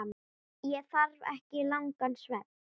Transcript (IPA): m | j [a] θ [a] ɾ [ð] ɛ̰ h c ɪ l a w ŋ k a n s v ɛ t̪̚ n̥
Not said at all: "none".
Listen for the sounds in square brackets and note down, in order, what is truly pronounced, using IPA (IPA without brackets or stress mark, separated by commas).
ɛ, a, v